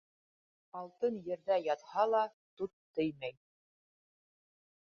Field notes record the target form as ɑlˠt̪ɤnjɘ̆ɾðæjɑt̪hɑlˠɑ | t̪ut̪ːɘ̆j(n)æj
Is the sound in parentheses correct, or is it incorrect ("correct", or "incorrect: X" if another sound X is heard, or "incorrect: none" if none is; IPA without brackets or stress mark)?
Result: incorrect: m